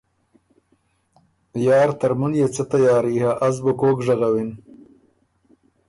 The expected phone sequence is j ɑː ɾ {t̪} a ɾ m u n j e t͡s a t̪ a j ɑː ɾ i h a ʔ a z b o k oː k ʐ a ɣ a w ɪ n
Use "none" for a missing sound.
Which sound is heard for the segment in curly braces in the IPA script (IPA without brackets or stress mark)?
t̪